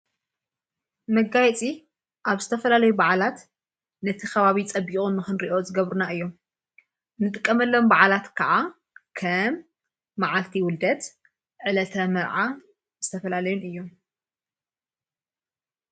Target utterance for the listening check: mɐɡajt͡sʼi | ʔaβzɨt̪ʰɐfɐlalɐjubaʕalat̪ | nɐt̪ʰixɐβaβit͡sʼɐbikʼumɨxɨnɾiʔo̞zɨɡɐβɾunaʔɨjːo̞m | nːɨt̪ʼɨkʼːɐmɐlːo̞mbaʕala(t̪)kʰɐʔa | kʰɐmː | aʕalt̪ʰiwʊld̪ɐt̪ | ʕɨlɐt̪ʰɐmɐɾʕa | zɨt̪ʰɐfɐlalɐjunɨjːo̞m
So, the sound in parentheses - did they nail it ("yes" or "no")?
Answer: yes